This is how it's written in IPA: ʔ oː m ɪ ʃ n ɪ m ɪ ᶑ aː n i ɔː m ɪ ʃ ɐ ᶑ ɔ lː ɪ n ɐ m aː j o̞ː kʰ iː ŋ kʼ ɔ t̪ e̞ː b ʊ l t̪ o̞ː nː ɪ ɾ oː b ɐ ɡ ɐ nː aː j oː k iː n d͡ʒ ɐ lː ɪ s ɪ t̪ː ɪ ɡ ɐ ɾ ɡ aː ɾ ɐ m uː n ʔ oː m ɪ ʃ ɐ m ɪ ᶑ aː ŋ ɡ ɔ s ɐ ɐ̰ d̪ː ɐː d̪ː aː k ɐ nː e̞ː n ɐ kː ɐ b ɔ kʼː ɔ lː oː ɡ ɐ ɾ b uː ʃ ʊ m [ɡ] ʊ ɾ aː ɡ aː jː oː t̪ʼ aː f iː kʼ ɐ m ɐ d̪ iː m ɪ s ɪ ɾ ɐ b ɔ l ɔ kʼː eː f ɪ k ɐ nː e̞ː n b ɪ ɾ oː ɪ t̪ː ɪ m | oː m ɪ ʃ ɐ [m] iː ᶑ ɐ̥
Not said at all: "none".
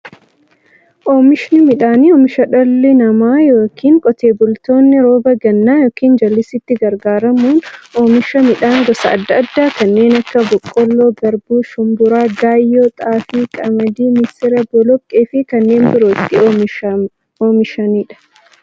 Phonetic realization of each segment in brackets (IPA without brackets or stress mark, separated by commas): b, n